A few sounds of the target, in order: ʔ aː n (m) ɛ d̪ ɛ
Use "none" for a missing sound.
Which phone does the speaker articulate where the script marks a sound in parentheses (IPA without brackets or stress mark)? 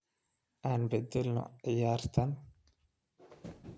b